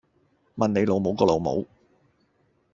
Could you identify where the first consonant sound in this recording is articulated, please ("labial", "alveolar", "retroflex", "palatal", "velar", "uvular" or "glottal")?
labial